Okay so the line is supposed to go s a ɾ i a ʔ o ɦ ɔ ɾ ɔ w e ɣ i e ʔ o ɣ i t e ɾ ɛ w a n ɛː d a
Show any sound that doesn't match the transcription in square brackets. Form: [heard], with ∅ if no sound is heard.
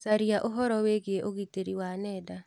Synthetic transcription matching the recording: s a ɾ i a ʔ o ɦ ɔ ɾ ɔ w e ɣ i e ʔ o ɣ i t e ɾ [i] w a n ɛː d a